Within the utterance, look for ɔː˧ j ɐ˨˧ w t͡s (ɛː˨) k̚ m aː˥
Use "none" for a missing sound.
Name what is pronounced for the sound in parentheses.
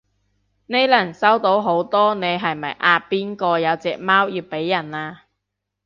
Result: ɛː˨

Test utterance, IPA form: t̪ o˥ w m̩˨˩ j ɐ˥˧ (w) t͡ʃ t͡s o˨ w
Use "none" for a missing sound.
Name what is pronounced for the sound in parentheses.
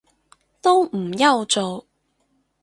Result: w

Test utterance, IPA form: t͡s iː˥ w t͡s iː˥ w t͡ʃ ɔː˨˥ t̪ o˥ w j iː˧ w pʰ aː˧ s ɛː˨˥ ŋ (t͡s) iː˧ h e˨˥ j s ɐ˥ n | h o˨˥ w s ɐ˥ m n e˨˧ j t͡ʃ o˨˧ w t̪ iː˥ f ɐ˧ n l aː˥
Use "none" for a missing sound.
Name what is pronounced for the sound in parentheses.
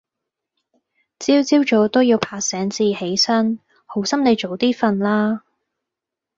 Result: t͡s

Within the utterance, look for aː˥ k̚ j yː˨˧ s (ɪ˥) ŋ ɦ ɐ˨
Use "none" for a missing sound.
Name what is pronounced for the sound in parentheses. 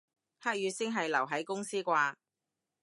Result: ɪ˥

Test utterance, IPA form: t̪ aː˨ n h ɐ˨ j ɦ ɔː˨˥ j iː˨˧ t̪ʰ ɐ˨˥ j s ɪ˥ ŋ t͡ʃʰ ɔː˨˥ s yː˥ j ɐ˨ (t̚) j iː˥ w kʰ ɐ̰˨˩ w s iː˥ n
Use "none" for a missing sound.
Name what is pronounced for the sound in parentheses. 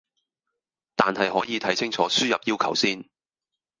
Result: p̚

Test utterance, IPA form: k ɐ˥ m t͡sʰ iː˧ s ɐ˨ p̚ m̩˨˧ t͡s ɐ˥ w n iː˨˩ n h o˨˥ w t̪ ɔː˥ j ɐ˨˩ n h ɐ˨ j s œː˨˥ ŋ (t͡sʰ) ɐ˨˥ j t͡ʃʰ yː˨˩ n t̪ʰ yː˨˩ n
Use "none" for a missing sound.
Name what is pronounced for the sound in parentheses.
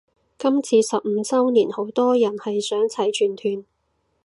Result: t͡sʰ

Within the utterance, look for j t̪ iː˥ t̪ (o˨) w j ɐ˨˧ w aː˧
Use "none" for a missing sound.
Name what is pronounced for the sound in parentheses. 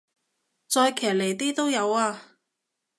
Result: o˥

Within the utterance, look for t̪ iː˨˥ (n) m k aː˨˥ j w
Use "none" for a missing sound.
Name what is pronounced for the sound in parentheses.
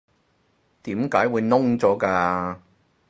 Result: none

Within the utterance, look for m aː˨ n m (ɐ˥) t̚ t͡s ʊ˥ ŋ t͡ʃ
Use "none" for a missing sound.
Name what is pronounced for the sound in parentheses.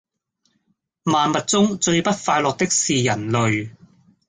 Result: ɐ˨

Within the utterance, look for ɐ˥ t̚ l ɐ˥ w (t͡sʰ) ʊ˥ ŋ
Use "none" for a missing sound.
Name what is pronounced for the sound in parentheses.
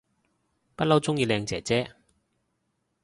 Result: t͡s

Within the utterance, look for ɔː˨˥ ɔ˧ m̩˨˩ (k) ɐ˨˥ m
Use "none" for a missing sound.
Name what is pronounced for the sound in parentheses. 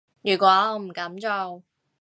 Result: k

